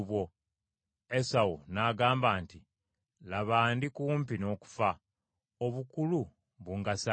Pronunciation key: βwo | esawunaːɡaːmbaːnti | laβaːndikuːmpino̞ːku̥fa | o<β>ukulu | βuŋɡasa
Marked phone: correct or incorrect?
correct